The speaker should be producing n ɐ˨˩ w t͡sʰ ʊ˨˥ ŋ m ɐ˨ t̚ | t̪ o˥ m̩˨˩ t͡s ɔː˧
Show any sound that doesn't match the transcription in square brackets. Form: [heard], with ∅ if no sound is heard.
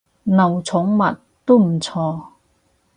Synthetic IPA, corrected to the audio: n ɐ˨˩ w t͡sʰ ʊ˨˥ ŋ m ɐ˨ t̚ | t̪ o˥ m̩˨˩ [t͡sʰ] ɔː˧

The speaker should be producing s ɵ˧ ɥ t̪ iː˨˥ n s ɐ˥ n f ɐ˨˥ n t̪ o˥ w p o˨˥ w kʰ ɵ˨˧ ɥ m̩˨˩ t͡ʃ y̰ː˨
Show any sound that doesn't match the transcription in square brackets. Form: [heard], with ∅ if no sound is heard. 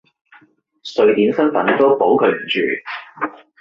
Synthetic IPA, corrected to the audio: s ɵ˧ ɥ t̪ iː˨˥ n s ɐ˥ n f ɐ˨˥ n t̪ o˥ w p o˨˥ w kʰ ɵ˨˧ ɥ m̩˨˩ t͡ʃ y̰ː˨

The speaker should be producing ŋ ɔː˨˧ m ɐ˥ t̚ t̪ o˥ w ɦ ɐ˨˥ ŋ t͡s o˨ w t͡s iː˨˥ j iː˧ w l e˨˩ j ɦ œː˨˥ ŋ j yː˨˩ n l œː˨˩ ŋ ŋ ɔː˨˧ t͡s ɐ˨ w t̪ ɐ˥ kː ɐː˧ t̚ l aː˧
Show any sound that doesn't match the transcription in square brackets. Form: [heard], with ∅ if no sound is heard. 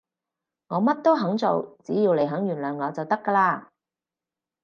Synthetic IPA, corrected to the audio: ŋ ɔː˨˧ m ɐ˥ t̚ t̪ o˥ w ɦ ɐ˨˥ ŋ t͡s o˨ w t͡s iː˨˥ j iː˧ w l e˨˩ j ɦ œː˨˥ ŋ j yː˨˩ n l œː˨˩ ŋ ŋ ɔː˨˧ t͡s ɐ˨ w t̪ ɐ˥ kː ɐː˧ [∅] l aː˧

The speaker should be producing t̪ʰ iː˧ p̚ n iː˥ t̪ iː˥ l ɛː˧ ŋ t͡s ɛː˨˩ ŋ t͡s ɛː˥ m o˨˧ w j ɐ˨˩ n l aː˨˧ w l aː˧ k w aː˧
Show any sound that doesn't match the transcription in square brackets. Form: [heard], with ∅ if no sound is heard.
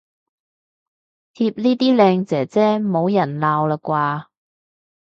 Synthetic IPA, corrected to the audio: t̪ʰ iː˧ p̚ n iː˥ t̪ iː˥ l ɛː˧ ŋ t͡s ɛː˨˩ [∅] t͡s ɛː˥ m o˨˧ w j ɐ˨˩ n l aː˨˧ w l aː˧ k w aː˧

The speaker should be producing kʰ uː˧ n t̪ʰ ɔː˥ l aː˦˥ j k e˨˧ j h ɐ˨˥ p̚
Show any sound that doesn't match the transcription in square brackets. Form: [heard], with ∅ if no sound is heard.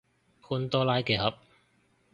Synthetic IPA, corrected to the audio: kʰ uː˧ n [t̪] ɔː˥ l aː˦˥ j k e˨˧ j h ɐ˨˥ p̚

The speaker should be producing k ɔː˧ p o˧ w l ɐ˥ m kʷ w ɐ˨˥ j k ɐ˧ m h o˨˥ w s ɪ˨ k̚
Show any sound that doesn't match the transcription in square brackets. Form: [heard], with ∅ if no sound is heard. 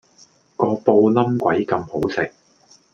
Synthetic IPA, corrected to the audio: k ɔː˧ p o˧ w l ɐ˥ m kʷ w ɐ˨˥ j k ɐ˧ m h o˨˥ w s ɪ˨ k̚

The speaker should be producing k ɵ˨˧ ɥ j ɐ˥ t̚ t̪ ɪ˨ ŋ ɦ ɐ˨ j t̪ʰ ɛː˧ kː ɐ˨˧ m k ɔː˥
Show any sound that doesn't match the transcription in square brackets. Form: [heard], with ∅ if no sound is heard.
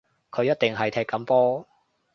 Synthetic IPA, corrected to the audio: [kʰ] ɵ˨˧ ɥ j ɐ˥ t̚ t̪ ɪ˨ ŋ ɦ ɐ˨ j t̪ʰ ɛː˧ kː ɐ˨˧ m [p] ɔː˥

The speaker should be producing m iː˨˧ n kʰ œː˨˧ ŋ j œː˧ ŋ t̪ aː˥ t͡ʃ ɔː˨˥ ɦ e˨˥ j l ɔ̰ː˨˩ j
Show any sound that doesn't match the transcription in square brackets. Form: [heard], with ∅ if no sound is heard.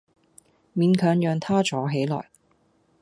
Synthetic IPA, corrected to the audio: m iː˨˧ n kʰ œː˨˧ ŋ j œː˧ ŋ [t̪ʰ] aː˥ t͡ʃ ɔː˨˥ ɦ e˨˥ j l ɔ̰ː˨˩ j

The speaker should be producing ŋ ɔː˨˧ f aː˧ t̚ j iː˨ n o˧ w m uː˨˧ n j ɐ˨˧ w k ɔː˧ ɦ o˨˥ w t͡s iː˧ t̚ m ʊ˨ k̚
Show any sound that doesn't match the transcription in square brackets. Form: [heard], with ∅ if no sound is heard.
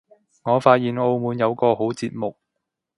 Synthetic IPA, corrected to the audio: ŋ ɔː˨˧ f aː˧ t̚ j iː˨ n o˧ w m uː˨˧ n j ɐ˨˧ w k ɔː˧ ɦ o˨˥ w t͡s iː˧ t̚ m ʊ˨ k̚

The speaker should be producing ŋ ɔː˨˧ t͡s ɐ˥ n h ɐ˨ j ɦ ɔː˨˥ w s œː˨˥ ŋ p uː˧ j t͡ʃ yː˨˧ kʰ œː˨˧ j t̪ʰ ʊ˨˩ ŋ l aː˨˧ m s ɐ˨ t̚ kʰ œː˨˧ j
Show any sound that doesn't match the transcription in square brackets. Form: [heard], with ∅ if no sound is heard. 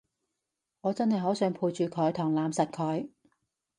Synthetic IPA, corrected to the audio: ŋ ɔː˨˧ t͡s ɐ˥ n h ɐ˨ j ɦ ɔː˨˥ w s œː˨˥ ŋ [pʰ] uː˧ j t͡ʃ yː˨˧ kʰ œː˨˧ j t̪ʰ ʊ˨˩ ŋ l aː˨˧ m s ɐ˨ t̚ kʰ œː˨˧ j

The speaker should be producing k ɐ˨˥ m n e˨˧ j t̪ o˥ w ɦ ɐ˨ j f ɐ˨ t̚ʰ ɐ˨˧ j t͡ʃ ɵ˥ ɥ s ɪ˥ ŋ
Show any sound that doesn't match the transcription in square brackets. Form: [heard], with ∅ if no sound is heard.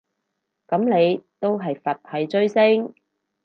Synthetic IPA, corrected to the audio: k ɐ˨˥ m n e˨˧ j t̪ o˥ w ɦ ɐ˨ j f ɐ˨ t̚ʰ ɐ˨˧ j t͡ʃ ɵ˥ ɥ s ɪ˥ ŋ

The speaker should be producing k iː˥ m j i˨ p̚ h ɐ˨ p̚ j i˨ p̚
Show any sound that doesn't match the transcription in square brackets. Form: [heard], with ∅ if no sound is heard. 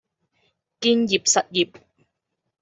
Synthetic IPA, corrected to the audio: k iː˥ [n] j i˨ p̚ [s] ɐ˨ [t̚] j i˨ p̚

